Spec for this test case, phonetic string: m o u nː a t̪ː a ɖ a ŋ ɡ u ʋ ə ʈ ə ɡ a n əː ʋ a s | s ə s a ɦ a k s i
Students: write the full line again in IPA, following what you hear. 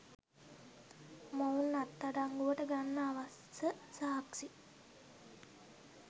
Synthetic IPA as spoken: m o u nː a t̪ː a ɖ a ŋ ɡ u ʋ ə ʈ ə ɡ a nː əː ʋ a s | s ə s a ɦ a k s i